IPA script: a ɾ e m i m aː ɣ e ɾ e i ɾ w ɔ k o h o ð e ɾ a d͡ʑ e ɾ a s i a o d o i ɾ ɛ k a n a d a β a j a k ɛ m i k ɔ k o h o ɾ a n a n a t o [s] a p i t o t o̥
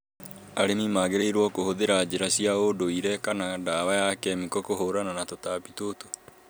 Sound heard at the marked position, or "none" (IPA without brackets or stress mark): t